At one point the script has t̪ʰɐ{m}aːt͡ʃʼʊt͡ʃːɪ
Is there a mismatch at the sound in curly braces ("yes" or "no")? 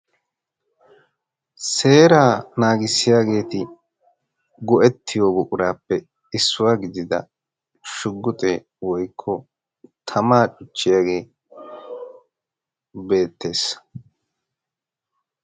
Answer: no